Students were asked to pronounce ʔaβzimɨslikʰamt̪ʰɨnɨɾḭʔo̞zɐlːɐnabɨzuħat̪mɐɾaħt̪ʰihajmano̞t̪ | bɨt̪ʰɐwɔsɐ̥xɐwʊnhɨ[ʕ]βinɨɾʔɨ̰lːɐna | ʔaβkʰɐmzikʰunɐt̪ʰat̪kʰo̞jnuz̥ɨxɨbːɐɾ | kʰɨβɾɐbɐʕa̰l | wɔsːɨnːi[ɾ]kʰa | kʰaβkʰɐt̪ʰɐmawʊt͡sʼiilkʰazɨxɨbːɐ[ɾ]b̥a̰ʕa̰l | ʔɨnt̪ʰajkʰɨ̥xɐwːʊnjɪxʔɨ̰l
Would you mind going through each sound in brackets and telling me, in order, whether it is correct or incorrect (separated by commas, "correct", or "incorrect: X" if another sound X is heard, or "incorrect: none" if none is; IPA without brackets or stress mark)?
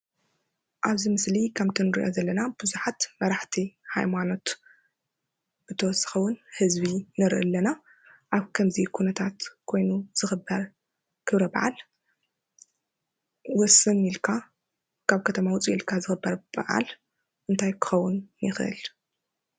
incorrect: z, incorrect: l, correct